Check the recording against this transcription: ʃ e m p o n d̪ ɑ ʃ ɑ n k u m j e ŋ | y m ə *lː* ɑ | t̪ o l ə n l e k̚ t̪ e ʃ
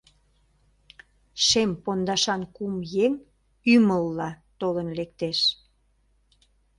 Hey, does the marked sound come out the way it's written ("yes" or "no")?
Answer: yes